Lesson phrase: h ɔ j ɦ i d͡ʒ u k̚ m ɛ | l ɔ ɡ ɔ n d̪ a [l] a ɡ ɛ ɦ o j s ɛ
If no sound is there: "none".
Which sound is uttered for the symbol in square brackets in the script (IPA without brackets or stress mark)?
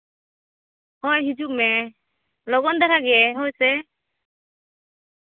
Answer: ɾ